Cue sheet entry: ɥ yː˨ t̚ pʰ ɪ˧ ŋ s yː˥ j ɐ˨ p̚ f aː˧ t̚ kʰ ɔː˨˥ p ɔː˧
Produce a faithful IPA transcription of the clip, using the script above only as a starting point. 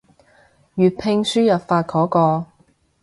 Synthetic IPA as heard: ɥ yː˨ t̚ pʰ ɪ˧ ŋ s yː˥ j ɐ˨ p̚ f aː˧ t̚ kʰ ɔː˨˥ k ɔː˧